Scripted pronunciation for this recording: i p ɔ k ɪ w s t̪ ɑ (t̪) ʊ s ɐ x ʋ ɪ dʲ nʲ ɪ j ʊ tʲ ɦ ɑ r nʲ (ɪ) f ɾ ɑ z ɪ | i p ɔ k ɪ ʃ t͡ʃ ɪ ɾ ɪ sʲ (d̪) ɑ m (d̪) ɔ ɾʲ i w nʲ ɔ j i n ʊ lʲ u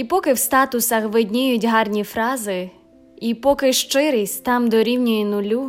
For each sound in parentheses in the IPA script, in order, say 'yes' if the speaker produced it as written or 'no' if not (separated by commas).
yes, no, no, yes